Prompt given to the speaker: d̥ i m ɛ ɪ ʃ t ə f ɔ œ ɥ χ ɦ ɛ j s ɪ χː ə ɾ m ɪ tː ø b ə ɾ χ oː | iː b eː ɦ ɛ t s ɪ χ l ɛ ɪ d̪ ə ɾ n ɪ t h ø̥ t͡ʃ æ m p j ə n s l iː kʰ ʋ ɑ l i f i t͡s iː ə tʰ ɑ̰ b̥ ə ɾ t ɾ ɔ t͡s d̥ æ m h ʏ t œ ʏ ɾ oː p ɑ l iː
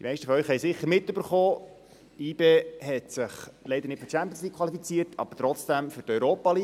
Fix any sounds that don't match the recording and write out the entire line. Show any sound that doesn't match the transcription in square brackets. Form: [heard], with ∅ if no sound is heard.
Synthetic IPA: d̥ i m ɛ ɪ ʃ t ə f ɔ œ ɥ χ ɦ ɛ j s ɪ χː ə ɾ m ɪ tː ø b ə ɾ χ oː | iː b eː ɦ ɛ t s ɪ χ l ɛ ɪ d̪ ə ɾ n ɪ t [f] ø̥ t͡ʃ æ m p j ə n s l iː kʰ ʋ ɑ l i f i t͡s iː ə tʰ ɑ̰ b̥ ə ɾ t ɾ ɔ t͡s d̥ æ m [f] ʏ t œ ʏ ɾ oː p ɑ l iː